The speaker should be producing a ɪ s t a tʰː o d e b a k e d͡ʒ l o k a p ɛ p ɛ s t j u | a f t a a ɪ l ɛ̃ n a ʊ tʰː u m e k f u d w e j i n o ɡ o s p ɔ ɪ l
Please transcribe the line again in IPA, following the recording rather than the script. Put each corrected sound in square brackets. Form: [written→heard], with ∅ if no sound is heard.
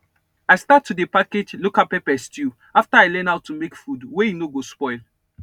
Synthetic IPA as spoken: a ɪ s t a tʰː [o→u] d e [b→p] a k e d͡ʒ l o k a p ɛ p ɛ s t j u | a f t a a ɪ l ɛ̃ n a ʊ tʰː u m e k f u d w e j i n o ɡ o s p ɔ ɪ l